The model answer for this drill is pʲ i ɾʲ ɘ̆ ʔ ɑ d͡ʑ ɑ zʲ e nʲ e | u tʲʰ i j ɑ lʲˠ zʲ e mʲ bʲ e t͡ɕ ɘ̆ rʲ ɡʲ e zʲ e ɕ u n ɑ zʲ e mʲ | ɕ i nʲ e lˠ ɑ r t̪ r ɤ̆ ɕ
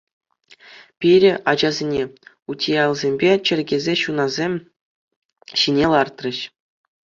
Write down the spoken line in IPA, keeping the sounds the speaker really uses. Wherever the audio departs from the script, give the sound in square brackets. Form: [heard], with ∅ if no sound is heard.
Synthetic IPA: pʲ i ɾʲ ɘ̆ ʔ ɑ d͡ʑ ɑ zʲ e nʲ e | u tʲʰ i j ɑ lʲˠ zʲ e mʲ bʲ e t͡ɕ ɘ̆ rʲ ɡʲ e zʲ e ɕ u n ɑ zʲ e mʲ | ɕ i nʲ e lˠ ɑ r t̪ r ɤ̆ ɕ